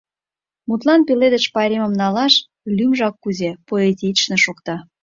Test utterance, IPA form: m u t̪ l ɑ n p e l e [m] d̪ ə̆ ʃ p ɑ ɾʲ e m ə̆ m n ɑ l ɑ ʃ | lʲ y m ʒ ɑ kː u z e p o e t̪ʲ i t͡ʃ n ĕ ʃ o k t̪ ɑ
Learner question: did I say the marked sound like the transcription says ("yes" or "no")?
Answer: no